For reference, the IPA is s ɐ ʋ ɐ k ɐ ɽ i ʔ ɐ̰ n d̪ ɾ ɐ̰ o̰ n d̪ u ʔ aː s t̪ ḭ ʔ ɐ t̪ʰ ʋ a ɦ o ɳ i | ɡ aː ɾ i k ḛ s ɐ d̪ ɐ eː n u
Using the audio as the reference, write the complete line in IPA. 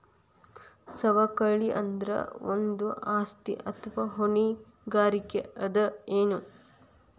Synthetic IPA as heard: s ɐ ʋ ɐ k ɐ ɭ i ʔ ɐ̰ n d̪ ɾ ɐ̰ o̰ n d̪ u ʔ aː s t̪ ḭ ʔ ɐ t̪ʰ ʋ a ɦ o ɳ i | ɡ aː ɾ i k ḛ ɐ d̪ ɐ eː n u

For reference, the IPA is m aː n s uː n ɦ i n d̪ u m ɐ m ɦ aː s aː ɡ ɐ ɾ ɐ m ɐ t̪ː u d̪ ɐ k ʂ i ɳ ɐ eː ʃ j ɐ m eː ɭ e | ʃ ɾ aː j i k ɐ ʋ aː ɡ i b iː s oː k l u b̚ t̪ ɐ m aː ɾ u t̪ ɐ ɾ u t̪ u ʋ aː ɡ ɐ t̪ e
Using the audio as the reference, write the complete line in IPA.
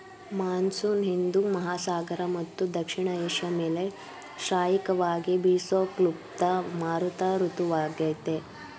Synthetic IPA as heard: m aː n s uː n ɦ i n d̪ u m ɐ ɦ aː s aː ɡ ɐ ɾ ɐ m ɐ t̪ː u d̪ ɐ k ʂ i ɳ ɐ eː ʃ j ɐ m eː l e | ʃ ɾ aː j i k ɐ ʋ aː ɡ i b iː s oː k l u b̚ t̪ ɐ m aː ɾ u t̪ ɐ ɾ u t̪ u ʋ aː ɡ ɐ t̪ e

